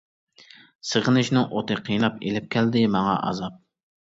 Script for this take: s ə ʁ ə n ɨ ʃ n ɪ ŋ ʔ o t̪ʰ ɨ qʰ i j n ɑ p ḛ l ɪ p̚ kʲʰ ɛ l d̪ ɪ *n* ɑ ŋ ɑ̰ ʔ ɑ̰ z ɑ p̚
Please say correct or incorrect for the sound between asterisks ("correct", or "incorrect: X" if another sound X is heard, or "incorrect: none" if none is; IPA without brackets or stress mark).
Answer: incorrect: m